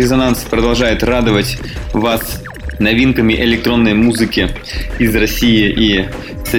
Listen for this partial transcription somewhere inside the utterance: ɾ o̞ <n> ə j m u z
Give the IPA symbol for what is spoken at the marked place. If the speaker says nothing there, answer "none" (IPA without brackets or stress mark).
nː